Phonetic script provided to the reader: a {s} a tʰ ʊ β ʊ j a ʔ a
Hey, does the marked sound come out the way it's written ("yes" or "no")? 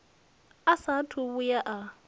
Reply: yes